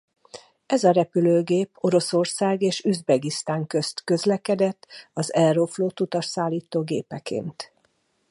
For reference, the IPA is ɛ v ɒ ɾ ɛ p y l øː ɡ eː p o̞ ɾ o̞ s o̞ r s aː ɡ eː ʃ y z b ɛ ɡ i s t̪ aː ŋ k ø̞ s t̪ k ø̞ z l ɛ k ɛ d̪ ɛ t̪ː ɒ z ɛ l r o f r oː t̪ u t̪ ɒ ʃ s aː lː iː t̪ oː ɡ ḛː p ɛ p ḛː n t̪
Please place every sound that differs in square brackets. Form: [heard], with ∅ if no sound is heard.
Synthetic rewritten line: ɛ [z] ɒ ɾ ɛ p y l øː ɡ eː p o̞ ɾ o̞ s o̞ r s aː ɡ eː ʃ y z b ɛ ɡ i s t̪ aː ŋ k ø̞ s t̪ k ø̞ z l ɛ k ɛ d̪ ɛ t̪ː ɒ z ɛ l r o f [l] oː t̪ u t̪ ɒ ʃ s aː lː iː t̪ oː ɡ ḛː p ɛ [k] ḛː n t̪

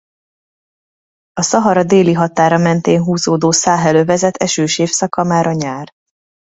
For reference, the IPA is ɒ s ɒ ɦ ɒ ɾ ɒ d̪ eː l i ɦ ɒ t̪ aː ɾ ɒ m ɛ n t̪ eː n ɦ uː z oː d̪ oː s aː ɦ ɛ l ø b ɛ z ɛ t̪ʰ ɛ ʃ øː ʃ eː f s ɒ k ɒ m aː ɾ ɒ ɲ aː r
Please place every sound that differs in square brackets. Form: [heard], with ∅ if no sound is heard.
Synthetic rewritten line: ɒ s ɒ ɦ ɒ ɾ ɒ d̪ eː l i ɦ ɒ t̪ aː ɾ ɒ m ɛ n t̪ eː n ɦ uː z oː d̪ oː s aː ɦ ɛ l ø [v] ɛ z ɛ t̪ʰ ɛ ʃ øː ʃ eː f s ɒ k ɒ m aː ɾ ɒ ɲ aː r

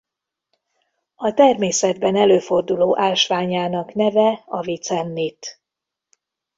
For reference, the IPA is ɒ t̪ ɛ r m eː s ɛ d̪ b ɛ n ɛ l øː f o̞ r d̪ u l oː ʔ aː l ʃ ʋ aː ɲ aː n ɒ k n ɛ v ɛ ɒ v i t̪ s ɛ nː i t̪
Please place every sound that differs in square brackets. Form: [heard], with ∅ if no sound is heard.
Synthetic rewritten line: ɒ t̪ ɛ r m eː s ɛ d̪ b ɛ n ɛ l øː f o̞ r d̪ u l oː ʔ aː l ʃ ʋ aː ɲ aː n ɒ k n ɛ v ɛ ɒ v i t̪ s ɛ nː i t̪

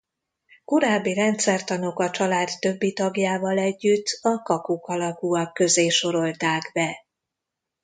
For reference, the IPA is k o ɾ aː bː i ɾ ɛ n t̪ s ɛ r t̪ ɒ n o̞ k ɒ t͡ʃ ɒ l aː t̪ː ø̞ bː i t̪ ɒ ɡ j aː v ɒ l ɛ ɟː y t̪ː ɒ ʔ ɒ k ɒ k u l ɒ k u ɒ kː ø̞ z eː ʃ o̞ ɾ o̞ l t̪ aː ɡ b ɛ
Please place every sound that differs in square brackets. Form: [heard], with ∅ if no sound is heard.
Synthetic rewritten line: k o ɾ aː bː i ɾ ɛ n t̪ s ɛ r t̪ ɒ n o̞ k ɒ t͡ʃ ɒ l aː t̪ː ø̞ bː i t̪ ɒ ɡ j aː v ɒ l ɛ ɟː y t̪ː ɒ [k] ɒ k [u] k [ɒ] l ɒ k u ɒ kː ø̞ z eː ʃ o̞ ɾ o̞ l t̪ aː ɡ b ɛ

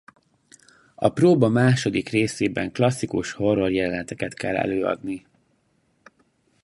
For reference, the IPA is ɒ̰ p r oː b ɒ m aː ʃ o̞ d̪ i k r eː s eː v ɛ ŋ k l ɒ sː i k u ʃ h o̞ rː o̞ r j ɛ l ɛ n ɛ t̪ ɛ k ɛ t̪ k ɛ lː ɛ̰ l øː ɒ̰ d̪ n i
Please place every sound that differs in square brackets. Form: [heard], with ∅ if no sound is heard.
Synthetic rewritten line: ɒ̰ p r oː b ɒ m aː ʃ o̞ d̪ i k r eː s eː [b] ɛ ŋ k l ɒ sː i k u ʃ h o̞ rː o̞ r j ɛ l ɛ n ɛ t̪ ɛ k ɛ t̪ k ɛ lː ɛ̰ l øː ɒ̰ d̪ n i

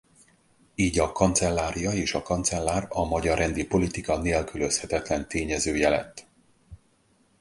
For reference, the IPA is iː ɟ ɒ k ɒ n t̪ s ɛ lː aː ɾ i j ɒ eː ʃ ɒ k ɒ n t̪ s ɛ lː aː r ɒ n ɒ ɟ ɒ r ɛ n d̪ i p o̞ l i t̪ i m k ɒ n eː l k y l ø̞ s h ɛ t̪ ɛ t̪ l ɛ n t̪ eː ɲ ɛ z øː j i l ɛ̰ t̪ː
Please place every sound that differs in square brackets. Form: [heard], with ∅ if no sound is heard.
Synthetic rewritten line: iː ɟ ɒ k ɒ n t̪ s ɛ lː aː ɾ i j ɒ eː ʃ ɒ k ɒ n t̪ s ɛ lː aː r ɒ [m] ɒ ɟ ɒ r ɛ n d̪ i p o̞ l i t̪ i [∅] k ɒ n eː l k y l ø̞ s h ɛ t̪ ɛ t̪ l ɛ n t̪ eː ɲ ɛ z øː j [ɛ] l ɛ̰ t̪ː

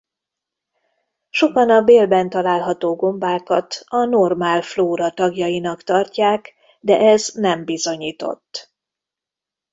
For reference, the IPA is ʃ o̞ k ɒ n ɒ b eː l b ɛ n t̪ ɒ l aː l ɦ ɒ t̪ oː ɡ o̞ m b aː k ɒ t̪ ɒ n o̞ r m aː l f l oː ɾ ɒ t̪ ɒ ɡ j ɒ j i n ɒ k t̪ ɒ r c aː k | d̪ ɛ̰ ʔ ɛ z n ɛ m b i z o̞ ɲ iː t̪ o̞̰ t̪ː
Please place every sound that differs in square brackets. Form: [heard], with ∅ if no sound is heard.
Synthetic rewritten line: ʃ o̞ k ɒ n ɒ b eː l b ɛ n t̪ ɒ l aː l ɦ ɒ t̪ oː ɡ o̞ m b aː k ɒ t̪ ɒ n o̞ r m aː l f l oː ɾ ɒ t̪ ɒ ɡ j ɒ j i n ɒ k t̪ ɒ r c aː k | d̪ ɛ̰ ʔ ɛ z n ɛ m b i z o̞ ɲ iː t̪ o̞̰ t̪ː

